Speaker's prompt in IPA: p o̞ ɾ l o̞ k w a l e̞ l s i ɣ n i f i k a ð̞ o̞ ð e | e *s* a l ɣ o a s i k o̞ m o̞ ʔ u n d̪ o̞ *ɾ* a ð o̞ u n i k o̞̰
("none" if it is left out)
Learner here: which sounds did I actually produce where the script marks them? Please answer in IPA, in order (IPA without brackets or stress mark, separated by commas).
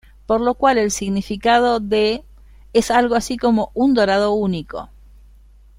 s, ɾ